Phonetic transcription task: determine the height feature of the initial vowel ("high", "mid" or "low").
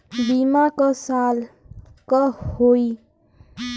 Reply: high